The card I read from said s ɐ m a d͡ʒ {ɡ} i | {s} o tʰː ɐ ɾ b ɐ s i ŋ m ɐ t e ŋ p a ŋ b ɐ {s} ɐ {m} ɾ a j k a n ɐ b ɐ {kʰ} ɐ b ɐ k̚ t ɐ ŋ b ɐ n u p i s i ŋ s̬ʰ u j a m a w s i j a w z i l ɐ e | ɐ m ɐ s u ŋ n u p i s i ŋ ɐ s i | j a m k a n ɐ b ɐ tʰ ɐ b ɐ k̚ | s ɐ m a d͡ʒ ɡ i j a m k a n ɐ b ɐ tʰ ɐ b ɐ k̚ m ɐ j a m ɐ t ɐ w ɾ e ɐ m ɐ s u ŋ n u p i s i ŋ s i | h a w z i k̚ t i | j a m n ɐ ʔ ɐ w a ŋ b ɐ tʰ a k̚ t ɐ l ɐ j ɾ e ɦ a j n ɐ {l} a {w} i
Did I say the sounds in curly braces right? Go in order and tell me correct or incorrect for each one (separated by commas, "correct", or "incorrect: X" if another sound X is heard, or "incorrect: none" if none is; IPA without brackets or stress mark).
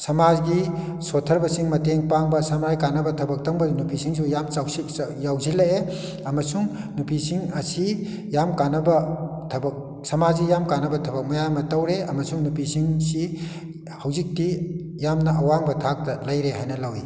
correct, correct, correct, correct, incorrect: tʰ, correct, correct